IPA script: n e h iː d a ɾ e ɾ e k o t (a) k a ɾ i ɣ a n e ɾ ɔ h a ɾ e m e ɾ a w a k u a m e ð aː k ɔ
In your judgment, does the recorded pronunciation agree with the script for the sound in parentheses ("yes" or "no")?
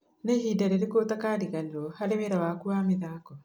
yes